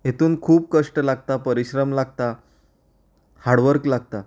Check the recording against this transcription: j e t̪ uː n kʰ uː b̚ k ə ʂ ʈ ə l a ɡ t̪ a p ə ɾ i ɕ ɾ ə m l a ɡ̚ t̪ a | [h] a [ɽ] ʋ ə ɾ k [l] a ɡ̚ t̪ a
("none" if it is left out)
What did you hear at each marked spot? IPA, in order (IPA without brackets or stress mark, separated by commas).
h, ɽ, l